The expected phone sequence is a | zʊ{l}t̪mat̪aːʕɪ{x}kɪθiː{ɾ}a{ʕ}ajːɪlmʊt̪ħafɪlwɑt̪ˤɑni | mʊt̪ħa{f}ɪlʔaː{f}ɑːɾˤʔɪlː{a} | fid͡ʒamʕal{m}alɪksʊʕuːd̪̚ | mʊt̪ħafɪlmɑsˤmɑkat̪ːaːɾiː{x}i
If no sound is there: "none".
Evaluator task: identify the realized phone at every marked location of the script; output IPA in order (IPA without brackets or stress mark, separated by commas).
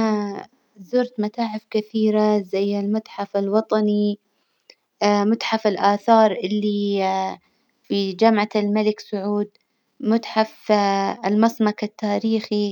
ɾ, f, ɾ, z, f, θ, i, m, x